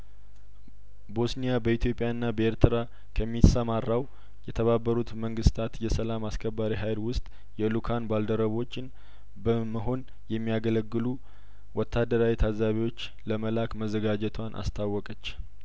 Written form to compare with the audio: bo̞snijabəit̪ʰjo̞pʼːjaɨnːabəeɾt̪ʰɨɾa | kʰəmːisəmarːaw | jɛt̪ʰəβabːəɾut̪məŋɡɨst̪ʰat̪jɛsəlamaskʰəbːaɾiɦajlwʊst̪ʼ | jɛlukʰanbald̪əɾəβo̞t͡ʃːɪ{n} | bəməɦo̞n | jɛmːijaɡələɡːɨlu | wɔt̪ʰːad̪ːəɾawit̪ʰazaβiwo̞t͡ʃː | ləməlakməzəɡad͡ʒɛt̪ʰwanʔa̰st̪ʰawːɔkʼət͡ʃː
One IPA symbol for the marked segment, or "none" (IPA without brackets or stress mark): n